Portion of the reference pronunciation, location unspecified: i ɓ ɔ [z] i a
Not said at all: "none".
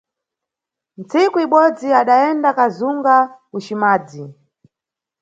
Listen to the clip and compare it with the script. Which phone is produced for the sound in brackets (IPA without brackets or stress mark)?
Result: d͡z